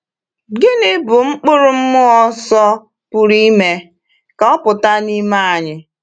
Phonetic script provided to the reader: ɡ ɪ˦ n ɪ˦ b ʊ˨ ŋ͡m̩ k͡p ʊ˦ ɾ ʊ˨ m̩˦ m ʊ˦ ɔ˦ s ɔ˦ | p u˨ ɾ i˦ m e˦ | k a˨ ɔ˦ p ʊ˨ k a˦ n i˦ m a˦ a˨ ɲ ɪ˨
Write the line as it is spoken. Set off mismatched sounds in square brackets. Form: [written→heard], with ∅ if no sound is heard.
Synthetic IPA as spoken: ɡ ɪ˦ n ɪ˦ b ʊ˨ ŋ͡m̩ k͡p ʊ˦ ɾ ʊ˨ m̩˦ m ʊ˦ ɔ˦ s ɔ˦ | p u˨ ɾ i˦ m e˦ | k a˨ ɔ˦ p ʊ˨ [k→t] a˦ n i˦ m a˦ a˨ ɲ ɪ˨